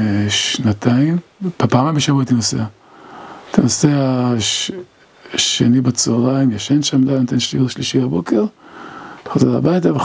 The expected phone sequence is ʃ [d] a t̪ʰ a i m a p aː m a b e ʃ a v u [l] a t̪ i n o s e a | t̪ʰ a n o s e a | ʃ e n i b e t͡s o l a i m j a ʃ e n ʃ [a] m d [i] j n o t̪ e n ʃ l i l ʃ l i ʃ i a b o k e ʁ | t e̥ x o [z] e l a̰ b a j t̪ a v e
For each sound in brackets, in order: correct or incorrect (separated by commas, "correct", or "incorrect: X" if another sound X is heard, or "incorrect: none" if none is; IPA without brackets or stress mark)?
incorrect: n, incorrect: none, correct, incorrect: a, correct